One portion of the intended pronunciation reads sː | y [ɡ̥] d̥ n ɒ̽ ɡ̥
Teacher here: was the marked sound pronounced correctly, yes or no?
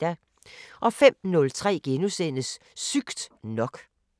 yes